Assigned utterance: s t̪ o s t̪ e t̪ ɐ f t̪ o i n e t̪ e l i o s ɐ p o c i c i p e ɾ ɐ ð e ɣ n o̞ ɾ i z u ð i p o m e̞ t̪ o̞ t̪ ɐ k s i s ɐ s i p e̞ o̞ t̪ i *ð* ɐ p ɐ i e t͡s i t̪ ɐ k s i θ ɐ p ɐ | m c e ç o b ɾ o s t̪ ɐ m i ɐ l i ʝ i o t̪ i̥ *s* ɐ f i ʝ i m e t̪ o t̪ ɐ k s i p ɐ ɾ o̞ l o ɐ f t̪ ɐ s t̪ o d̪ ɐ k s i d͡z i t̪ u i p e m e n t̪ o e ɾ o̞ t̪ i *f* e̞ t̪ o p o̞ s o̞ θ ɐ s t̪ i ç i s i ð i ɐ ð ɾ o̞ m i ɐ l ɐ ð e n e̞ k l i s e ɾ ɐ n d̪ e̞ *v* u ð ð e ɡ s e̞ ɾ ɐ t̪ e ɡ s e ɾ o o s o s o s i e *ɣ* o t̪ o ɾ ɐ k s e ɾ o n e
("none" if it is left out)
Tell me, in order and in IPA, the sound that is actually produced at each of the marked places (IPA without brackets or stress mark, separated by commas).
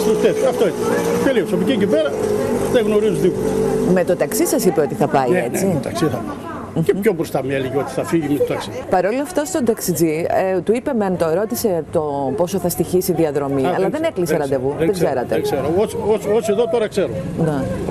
θ, θ, s, v, ð